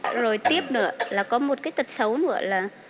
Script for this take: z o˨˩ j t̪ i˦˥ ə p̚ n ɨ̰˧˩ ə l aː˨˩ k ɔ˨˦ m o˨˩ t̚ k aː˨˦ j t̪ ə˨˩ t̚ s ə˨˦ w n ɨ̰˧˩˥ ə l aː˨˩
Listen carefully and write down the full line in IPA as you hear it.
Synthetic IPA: z o˨˩ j t̪ i˦˥ ə p̚ n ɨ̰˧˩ ə l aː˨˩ k ɔ˨˦ m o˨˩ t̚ k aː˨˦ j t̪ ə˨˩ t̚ s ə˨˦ w n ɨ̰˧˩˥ ə l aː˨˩